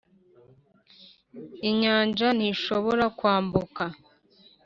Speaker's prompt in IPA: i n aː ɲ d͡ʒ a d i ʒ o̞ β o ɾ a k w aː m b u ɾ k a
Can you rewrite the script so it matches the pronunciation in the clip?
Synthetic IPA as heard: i ɲ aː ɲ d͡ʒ a n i ʃ o̞ β o ɾ a k w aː m b u k a